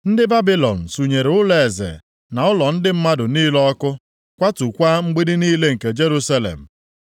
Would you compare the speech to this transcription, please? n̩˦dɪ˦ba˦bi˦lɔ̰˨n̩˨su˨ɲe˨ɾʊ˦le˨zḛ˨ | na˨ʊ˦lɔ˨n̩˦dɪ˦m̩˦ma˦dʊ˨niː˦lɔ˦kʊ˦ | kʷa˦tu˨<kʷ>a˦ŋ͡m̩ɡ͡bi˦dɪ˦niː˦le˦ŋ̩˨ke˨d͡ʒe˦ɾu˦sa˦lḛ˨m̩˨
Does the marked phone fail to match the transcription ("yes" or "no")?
no